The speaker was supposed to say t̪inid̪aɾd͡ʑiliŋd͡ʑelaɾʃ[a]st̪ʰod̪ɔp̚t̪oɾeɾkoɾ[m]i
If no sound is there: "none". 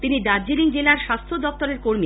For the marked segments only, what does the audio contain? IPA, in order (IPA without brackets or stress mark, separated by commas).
a, m